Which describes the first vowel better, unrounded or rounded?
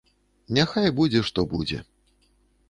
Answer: unrounded